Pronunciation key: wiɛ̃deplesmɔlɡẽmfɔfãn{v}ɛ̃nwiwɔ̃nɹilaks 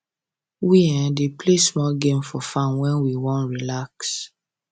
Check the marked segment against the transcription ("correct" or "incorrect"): incorrect